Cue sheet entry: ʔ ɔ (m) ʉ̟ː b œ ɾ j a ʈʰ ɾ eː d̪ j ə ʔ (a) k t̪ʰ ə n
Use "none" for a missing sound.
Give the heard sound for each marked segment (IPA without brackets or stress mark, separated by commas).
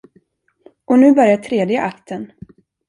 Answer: n, a